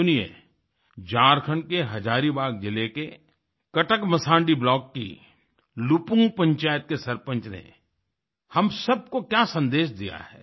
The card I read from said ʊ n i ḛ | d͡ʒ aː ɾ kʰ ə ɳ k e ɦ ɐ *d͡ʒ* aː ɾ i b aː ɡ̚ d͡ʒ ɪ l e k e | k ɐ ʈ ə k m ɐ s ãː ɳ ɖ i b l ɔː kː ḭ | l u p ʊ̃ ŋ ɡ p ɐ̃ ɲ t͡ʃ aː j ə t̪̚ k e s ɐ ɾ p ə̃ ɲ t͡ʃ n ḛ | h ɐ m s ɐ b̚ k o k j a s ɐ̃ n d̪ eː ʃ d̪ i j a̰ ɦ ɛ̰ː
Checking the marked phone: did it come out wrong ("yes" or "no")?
no